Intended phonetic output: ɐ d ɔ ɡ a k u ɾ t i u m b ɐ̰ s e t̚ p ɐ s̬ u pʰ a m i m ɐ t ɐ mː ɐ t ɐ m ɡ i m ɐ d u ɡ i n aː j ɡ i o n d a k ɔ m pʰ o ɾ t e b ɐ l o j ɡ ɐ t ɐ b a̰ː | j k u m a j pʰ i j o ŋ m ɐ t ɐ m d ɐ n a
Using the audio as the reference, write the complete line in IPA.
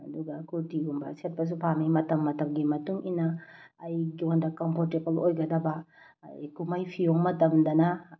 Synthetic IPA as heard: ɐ d u ɡ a k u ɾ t i u m b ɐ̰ s e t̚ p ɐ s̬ u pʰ a m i m ɐ t ɐ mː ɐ t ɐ m ɡ i m ɐ t u ŋ i n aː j ɡ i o n d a k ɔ m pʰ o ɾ t e b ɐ l o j ɡ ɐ d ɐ b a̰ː | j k u m a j pʰ i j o ŋ m ɐ t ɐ m d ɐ n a